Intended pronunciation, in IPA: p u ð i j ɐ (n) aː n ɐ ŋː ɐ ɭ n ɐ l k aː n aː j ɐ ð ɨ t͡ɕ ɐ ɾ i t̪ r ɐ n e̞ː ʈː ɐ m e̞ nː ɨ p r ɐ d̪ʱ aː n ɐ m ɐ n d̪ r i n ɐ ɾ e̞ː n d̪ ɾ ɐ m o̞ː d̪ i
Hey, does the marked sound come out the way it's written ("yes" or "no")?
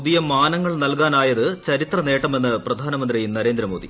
no